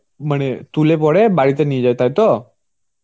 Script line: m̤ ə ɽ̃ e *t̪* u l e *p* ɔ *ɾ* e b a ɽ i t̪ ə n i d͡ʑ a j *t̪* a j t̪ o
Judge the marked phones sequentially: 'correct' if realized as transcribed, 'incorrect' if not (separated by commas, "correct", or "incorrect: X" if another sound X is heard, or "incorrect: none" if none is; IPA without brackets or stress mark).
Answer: correct, correct, incorrect: ɽ, correct